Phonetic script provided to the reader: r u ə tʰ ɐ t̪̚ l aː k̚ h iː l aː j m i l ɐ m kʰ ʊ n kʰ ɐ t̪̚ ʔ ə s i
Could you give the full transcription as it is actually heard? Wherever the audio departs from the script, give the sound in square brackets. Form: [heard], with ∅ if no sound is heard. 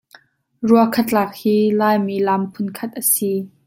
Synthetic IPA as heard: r u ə [kʰ] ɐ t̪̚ l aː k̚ h iː l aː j m i l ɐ m [pʰ] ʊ n kʰ ɐ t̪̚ ʔ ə s i